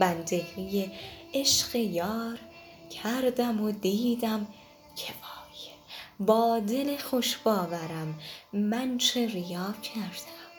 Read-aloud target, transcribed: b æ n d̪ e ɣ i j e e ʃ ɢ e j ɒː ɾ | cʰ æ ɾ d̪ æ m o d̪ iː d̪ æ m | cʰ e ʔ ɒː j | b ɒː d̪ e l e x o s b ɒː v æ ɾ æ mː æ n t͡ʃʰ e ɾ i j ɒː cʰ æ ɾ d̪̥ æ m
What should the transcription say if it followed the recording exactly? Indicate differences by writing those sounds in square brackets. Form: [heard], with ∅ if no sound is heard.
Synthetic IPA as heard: b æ n d̪ e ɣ i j e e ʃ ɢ e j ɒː ɾ | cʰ æ ɾ d̪ æ m o d̪ iː d̪ æ m | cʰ e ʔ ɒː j | b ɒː d̪ e l e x o [ʃ] b ɒː v æ ɾ æ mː æ n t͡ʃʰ e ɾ i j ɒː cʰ æ ɾ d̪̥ æ m